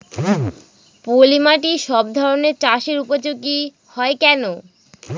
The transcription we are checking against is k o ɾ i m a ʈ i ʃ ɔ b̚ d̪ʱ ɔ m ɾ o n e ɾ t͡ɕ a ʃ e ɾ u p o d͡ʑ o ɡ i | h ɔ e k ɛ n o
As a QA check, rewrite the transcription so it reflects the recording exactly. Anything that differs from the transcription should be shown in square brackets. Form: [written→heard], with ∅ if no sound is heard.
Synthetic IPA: [k→p] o [ɾ→l] i m a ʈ i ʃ ɔ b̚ d̪ʱ ɔ [m→∅] ɾ o n e ɾ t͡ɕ a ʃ e ɾ u p o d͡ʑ o ɡ i | h ɔ e k ɛ n o